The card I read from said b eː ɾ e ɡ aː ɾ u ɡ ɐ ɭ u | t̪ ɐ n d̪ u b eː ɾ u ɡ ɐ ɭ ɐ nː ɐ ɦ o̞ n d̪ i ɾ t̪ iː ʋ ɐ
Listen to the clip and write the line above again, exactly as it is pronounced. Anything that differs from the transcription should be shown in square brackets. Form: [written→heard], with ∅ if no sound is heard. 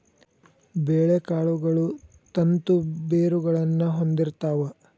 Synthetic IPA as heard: b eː [ɾ→ɭ] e [ɡ→k] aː [ɾ→ɭ] u ɡ ɐ ɭ u | t̪ ɐ n [d̪→t̪] u b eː ɾ u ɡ ɐ ɭ ɐ nː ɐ ɦ o̞ n d̪ i ɾ t̪ [iː→aː] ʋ ɐ